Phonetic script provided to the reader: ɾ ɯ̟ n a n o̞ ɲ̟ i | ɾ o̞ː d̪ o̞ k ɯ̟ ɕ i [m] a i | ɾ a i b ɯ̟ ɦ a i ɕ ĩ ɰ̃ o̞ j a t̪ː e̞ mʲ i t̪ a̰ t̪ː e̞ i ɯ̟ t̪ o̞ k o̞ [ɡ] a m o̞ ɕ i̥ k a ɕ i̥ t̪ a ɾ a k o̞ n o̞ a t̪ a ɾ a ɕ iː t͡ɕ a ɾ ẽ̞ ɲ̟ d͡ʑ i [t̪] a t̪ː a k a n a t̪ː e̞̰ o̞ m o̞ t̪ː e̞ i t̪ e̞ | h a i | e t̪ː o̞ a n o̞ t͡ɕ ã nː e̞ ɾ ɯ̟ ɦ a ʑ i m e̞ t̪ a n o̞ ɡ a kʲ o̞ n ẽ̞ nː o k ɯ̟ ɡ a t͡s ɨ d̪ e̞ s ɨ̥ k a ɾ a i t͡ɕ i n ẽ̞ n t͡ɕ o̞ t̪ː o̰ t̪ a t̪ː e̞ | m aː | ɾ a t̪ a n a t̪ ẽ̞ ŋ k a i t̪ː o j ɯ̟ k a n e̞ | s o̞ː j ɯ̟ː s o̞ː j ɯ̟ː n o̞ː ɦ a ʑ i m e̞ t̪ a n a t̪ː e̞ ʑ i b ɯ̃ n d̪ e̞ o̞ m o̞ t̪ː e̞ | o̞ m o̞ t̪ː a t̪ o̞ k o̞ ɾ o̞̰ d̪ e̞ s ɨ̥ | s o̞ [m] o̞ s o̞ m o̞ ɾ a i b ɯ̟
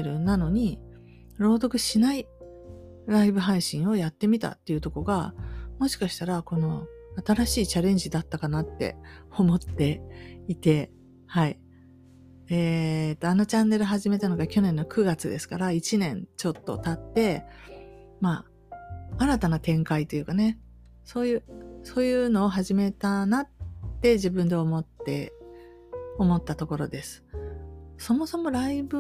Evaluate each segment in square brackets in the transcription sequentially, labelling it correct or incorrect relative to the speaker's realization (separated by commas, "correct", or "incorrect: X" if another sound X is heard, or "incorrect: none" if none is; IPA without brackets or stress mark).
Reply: incorrect: n, correct, incorrect: d̪, correct